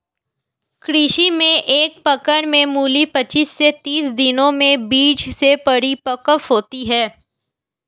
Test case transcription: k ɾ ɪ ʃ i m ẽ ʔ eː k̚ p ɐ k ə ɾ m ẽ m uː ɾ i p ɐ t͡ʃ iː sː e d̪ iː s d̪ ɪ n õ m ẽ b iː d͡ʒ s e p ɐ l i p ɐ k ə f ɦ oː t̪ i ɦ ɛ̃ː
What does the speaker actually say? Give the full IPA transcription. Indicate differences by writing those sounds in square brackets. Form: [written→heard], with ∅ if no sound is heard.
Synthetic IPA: k ɾ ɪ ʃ i m ẽ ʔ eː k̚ p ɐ k ə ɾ m ẽ m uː [ɾ→l] i p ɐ t͡ʃ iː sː e [d̪→t̪] iː s d̪ ɪ n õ m ẽ b iː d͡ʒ s e p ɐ [l→ɽ] i p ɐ k ə f ɦ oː t̪ i ɦ [ɛ̃ː→ɛː]